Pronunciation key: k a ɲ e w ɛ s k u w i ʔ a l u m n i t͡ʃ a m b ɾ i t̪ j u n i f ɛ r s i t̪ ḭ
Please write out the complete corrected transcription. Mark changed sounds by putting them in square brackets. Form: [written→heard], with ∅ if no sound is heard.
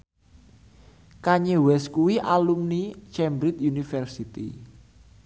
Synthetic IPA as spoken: k a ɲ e w ɛ s k u w i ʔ a l u m n i t͡ʃ [a→ɛ] m b ɾ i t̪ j u n i f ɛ r s i t̪ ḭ